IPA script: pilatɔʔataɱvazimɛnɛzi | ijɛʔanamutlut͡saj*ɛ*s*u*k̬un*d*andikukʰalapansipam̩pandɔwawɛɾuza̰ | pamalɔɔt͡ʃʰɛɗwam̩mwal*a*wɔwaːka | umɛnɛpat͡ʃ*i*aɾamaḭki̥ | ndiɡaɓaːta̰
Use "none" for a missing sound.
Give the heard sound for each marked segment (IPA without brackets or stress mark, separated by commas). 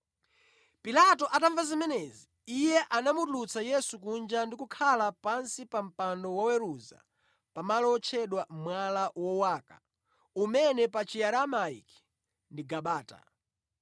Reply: ɛ, u, d͡ʒ, a, i